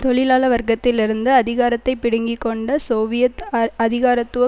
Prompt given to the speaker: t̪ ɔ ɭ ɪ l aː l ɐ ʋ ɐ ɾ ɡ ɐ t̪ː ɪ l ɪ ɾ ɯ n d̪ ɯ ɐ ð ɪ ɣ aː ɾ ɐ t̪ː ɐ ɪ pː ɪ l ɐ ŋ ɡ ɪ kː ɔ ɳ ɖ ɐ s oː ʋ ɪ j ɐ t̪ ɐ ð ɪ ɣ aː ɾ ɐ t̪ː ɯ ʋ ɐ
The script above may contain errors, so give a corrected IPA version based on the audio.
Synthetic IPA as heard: t̪ ɔ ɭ ɪ l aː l ɐ ʋ ɐ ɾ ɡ ɐ t̪ː ɪ l ɪ ɾ ɯ n d̪ ɯ ɐ ð ɪ ɣ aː ɾ ɐ t̪ː ɐ ɪ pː ɪ ɽ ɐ ŋ ɡ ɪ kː ɔ ɳ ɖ ɐ s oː ʋ ɪ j ɐ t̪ ɐ ð ɪ ɣ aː ɾ ɐ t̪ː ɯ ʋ ɐ